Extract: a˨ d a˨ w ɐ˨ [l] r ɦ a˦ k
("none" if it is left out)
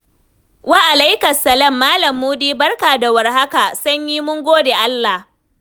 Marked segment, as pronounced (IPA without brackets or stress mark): none